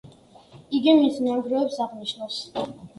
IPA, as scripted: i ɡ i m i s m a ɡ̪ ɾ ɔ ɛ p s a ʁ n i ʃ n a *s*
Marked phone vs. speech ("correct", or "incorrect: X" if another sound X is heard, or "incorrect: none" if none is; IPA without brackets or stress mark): correct